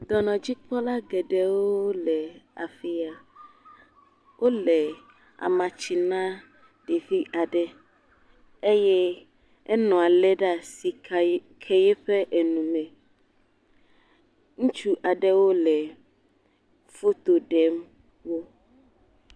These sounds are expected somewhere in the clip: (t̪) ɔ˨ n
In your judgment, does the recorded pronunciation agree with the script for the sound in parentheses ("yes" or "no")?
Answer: no